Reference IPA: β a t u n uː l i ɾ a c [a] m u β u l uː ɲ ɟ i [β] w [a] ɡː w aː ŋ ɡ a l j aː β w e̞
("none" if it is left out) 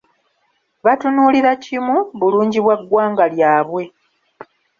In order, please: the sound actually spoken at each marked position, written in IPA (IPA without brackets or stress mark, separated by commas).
i, β, a